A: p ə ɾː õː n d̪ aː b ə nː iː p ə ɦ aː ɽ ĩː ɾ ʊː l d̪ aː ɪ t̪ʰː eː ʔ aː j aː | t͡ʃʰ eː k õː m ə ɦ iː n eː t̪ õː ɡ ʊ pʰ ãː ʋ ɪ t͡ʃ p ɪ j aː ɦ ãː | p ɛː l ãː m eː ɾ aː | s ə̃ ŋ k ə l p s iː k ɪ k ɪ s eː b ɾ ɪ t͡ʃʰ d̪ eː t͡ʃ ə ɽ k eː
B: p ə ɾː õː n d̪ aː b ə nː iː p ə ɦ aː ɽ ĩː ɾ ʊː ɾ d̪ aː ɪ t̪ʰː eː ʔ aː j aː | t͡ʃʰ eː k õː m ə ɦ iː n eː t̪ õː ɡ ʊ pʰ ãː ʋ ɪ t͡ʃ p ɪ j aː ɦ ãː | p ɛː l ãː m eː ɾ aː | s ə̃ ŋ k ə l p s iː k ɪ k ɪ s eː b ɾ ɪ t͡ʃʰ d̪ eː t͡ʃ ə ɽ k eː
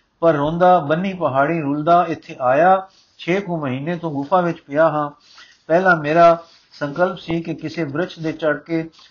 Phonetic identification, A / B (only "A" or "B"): A